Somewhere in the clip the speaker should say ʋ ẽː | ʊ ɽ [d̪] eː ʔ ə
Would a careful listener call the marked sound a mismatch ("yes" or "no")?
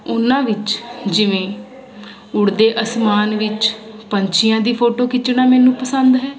no